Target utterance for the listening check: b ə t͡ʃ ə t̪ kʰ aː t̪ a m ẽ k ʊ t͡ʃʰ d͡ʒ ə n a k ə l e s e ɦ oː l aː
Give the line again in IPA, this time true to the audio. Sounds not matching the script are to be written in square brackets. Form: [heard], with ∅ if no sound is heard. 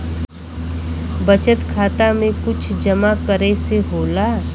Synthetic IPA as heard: b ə t͡ʃ ə t̪ kʰ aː t̪ a m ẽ k ʊ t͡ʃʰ d͡ʒ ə [m] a k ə [ɾ] e s e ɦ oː l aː